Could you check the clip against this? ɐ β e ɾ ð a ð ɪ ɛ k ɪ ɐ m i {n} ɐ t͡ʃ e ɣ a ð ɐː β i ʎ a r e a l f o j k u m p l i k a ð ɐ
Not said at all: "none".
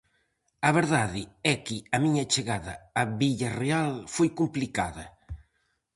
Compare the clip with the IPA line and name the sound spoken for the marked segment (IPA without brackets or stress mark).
ɲ